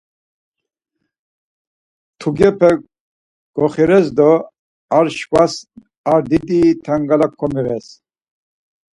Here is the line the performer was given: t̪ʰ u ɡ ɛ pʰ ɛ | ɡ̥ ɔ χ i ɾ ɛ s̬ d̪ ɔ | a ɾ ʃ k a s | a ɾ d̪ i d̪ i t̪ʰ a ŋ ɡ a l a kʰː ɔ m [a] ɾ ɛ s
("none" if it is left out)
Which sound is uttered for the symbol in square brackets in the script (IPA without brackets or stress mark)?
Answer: i